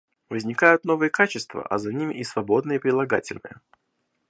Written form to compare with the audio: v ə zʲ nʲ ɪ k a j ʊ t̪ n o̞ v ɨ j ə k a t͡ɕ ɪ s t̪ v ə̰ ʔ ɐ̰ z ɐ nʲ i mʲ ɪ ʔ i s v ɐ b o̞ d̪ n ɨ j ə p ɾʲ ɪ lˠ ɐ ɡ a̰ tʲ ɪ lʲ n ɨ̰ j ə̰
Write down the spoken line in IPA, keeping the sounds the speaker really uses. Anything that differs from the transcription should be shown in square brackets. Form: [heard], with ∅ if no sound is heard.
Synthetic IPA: v ə zʲ nʲ ɪ k a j ʊ t̪ n o̞ v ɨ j ə k a t͡ɕ ɪ s t̪ v ə̰ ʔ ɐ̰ z ɐ nʲ i mʲ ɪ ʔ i s v ɐ b o̞ d̪ n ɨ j ə p ɾʲ ɪ lˠ ɐ ɡ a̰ tʲ ɪ lʲ n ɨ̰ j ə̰